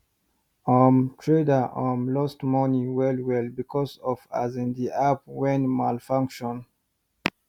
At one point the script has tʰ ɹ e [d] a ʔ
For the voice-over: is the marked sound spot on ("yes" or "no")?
yes